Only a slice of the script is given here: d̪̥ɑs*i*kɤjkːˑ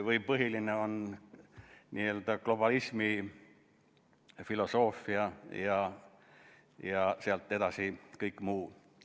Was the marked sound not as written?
no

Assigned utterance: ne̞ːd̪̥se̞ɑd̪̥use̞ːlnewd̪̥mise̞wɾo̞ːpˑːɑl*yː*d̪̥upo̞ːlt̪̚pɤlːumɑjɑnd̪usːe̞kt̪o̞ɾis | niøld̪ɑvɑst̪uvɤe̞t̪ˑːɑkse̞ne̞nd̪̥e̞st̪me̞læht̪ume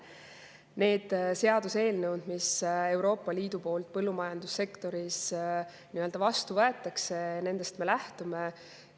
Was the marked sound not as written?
yes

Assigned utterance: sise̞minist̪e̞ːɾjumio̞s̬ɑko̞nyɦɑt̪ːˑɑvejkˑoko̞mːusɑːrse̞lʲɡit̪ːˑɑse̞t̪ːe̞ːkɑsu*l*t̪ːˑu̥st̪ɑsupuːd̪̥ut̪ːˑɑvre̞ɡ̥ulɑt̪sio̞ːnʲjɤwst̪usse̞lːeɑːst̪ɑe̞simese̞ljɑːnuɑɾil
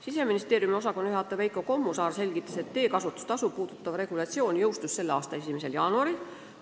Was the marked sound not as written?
yes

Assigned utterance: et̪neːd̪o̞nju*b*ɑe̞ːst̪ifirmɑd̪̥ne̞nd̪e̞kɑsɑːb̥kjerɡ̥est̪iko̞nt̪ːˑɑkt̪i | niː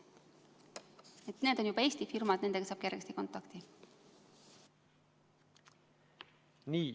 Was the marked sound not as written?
no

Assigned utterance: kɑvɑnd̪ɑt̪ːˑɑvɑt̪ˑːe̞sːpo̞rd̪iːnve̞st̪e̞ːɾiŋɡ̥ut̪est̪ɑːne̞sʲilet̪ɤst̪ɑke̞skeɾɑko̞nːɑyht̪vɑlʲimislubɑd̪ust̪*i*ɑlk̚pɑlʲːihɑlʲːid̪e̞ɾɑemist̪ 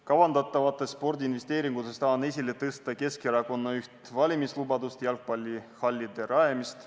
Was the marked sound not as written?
yes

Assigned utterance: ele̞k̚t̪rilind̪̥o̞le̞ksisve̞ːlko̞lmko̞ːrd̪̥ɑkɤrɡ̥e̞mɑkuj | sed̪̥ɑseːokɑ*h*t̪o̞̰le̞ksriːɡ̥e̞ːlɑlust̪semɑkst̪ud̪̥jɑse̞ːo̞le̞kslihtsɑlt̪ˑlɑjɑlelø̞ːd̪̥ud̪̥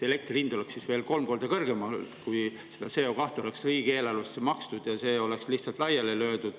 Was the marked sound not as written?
no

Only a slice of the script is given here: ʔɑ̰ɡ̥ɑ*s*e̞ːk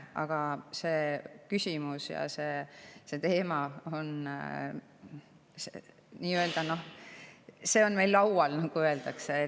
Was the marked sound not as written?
no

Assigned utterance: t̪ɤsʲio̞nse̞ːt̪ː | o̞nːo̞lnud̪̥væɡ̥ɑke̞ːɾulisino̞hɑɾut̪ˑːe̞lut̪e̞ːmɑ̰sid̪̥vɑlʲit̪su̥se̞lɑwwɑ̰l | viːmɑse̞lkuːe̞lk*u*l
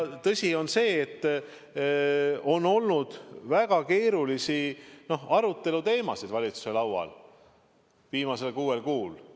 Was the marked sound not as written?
yes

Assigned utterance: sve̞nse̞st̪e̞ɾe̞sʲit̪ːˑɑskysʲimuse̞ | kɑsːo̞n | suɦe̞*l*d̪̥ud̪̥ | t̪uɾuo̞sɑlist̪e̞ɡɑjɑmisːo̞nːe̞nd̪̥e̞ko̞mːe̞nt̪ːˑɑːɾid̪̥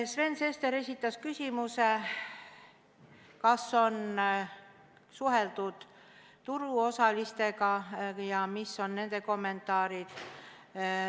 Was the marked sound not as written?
no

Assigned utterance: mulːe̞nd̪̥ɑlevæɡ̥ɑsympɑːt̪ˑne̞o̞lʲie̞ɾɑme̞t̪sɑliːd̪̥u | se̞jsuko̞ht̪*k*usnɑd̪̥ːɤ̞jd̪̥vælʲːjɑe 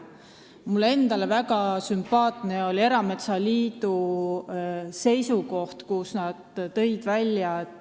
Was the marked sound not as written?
no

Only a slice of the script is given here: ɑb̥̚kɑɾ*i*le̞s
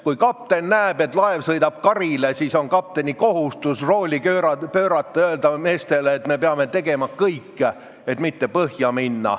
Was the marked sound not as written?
no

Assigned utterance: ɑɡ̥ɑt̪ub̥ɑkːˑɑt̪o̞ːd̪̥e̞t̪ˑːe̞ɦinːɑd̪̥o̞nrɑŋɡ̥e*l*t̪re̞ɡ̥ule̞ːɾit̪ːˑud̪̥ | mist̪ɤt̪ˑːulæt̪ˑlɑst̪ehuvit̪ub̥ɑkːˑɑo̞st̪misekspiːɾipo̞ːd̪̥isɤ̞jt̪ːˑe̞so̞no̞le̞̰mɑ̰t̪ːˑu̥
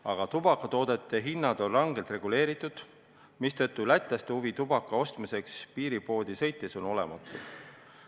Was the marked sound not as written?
no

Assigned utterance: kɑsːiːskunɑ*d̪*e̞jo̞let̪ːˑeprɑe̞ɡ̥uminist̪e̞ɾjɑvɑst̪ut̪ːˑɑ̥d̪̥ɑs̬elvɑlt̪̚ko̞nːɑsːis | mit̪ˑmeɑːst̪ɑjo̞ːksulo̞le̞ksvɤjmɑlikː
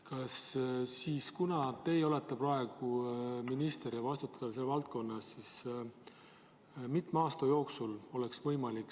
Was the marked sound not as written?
yes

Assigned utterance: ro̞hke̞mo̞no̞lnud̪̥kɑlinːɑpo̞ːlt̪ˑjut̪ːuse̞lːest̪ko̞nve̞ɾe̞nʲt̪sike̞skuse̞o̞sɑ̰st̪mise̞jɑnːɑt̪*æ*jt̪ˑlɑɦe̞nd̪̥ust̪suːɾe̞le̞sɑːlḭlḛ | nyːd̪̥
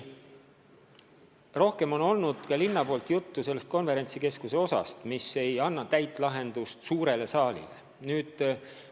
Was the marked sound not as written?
no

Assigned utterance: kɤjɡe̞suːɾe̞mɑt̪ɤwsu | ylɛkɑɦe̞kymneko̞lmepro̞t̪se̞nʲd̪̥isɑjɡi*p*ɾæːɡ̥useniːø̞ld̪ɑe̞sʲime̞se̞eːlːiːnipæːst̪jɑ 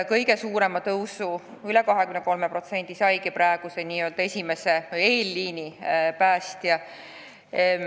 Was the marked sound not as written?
no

